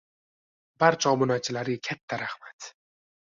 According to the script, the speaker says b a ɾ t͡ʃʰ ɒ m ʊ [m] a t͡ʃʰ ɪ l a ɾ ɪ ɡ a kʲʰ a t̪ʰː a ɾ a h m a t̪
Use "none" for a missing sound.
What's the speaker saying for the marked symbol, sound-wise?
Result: n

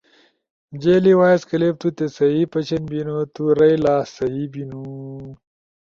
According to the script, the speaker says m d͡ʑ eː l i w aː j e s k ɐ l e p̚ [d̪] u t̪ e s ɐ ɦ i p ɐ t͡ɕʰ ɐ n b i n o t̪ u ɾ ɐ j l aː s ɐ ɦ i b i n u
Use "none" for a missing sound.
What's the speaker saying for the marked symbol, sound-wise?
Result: t̪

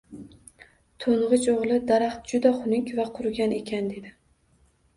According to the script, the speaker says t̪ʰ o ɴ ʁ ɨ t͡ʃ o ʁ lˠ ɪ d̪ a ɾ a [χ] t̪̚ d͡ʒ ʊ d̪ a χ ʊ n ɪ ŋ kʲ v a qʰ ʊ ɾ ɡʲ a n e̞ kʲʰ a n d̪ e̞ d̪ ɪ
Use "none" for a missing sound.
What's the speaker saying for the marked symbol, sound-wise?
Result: χ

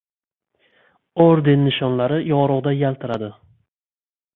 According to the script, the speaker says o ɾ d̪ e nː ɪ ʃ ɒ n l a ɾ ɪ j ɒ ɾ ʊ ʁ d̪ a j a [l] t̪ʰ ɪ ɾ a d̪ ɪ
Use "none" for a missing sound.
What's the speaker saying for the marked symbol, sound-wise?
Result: l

